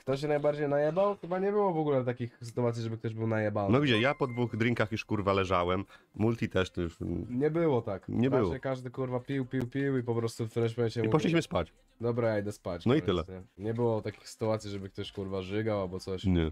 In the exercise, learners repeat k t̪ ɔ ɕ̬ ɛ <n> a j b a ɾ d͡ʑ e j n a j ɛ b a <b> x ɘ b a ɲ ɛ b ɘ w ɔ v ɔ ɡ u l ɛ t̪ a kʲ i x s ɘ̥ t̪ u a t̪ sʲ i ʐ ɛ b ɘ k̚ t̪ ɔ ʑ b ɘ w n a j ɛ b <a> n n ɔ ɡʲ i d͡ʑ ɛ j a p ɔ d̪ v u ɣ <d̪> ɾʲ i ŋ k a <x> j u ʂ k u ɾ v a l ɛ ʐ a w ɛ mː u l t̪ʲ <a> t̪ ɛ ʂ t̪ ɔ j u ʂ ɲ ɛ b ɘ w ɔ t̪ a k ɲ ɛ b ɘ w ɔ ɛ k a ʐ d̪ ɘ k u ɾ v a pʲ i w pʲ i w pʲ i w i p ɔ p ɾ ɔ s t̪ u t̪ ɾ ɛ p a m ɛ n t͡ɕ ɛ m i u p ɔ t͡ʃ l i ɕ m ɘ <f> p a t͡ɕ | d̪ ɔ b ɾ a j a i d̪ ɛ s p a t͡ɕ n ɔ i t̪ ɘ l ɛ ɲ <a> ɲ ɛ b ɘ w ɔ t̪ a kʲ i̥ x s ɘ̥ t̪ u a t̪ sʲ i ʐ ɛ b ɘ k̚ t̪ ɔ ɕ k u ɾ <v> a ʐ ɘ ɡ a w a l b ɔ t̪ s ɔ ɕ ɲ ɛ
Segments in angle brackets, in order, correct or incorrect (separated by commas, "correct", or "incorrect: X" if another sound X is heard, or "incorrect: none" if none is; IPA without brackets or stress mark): correct, incorrect: w, correct, correct, correct, incorrect: i, incorrect: s, incorrect: ɛ, correct